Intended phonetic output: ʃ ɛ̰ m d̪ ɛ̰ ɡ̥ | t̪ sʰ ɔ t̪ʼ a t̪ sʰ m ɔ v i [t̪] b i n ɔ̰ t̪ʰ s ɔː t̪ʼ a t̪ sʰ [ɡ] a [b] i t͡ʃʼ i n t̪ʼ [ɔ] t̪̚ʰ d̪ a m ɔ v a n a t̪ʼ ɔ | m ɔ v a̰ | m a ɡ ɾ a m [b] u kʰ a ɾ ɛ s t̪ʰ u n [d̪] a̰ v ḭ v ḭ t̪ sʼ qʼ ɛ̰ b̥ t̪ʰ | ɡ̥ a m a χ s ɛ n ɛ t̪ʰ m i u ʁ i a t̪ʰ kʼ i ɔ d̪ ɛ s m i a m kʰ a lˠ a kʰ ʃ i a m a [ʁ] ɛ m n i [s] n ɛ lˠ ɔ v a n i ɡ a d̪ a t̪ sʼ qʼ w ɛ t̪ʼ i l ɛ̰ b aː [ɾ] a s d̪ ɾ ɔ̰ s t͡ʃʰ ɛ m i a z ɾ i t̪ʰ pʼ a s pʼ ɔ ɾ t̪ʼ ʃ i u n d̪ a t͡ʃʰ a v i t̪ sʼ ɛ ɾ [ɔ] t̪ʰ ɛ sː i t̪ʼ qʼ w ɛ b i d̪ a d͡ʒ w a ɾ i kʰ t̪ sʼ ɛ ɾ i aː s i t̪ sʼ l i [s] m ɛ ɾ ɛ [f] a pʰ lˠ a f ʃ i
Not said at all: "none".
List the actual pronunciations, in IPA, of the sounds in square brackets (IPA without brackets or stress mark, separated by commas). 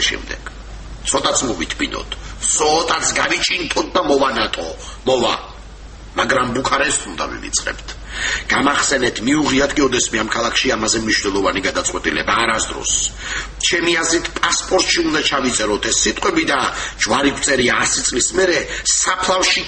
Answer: t̪ʰ, ɡ, v, ɔ, b, d̪, z, ʃ, ɾ, ɔ, s, s